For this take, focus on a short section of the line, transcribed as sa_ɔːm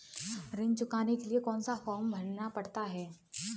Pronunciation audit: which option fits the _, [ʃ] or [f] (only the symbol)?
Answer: f